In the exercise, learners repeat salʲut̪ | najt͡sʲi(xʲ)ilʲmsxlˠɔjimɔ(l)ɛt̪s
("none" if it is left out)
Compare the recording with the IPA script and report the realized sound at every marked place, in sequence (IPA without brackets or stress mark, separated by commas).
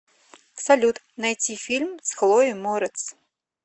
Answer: fʲ, ɾ